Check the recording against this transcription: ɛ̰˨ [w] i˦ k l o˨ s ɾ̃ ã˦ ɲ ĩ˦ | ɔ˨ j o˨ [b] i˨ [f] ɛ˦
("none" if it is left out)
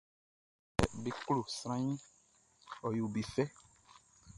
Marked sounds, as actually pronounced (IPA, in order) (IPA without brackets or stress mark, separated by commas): b, b, f